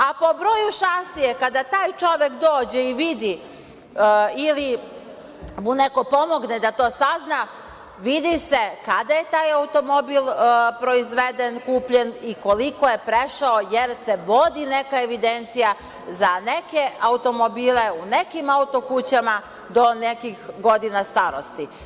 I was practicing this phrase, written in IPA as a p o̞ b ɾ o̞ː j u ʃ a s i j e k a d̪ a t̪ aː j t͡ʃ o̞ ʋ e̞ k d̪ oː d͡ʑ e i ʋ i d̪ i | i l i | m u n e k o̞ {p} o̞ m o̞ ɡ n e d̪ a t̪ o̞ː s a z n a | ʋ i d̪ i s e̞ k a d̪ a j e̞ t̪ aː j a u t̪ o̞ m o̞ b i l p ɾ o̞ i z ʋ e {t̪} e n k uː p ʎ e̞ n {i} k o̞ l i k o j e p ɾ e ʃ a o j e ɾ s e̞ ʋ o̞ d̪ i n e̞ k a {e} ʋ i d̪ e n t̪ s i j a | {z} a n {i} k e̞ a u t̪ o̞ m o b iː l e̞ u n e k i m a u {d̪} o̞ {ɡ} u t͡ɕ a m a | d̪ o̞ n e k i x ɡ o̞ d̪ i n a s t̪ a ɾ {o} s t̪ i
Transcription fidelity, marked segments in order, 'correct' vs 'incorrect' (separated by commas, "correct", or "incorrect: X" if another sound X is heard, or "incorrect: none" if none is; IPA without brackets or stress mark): correct, incorrect: d̪, correct, correct, correct, incorrect: e, incorrect: t̪, incorrect: k, correct